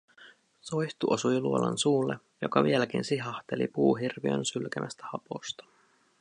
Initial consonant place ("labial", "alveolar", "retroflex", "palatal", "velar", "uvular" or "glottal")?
alveolar